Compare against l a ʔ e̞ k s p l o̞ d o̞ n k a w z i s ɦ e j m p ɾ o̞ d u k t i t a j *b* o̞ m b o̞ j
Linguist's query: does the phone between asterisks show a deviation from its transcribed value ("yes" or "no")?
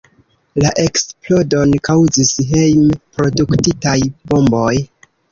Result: no